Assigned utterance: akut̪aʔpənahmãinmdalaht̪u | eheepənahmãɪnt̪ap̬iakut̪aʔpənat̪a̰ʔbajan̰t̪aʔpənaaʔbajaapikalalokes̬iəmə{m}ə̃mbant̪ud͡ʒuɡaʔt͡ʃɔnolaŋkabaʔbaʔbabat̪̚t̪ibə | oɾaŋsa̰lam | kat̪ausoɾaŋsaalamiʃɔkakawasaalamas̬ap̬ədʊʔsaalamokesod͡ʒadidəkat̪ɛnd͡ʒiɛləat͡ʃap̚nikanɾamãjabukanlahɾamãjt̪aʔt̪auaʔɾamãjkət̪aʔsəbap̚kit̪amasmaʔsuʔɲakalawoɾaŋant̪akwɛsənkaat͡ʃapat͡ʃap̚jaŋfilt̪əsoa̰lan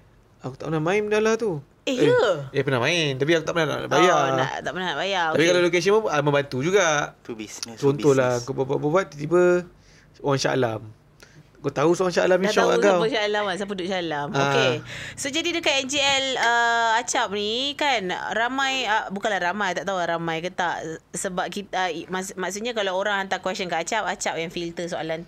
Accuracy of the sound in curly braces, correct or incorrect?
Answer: correct